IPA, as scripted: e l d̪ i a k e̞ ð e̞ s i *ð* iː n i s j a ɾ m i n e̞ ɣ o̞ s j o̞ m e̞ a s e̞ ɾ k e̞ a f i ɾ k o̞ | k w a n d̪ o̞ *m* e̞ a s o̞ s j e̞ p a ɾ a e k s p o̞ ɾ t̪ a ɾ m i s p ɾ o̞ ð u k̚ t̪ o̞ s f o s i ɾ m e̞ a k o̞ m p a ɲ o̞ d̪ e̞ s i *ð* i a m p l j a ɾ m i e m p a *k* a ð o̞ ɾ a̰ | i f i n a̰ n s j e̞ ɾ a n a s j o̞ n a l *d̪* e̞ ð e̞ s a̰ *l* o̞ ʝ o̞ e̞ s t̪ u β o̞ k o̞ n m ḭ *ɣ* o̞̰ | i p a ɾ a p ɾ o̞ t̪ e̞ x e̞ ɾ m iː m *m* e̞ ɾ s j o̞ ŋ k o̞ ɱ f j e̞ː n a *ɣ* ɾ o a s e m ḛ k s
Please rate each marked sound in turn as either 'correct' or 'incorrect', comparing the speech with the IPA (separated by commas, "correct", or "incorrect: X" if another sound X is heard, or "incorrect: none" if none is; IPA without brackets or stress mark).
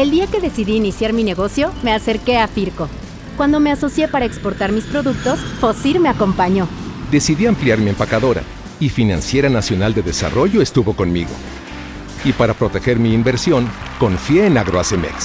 correct, correct, correct, correct, correct, incorrect: r, correct, incorrect: b, correct